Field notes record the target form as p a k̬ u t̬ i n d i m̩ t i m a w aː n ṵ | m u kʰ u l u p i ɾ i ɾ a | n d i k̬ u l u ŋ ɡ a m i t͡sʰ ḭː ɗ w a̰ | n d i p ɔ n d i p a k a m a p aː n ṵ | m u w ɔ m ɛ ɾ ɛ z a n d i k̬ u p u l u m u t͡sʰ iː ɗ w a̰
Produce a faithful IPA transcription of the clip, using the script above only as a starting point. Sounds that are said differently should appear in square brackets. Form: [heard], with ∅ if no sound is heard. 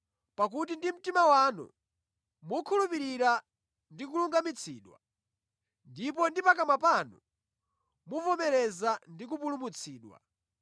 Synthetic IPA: p a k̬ u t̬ i n d i m̩ t i m a w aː n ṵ | m u kʰ u l u p i ɾ i ɾ a | n d i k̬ u l u ŋ ɡ a m i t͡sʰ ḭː ɗ w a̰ | n d i p ɔ n d i p a k a m a p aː n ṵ | m u [v] ɔ m ɛ ɾ ɛ z a n d i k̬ u p u l u m u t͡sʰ iː ɗ w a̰